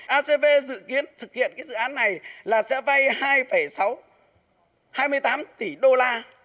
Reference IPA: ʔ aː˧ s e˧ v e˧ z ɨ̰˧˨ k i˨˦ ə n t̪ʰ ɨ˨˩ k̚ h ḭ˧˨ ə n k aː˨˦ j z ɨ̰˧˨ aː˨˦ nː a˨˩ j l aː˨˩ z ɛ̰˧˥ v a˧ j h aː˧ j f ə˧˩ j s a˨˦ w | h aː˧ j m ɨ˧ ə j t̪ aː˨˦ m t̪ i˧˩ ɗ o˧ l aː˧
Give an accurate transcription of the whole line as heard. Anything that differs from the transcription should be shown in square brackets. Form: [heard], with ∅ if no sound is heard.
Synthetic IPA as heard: ʔ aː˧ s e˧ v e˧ z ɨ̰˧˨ k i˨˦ ə n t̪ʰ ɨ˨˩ k̚ h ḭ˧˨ ə n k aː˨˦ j z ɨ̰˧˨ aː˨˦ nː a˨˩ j l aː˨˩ [s] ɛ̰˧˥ v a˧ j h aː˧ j f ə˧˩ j s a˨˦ w | h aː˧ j m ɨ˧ ə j t̪ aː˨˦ m t̪ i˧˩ ɗ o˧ l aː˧